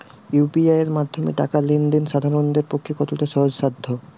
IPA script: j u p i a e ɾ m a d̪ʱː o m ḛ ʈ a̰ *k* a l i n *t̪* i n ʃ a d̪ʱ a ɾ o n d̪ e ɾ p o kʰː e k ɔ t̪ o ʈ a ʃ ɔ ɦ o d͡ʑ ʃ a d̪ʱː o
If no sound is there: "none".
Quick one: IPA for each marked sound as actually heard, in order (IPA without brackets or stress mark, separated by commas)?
k, d̪